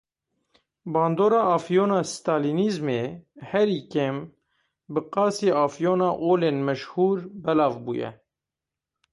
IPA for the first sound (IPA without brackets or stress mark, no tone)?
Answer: b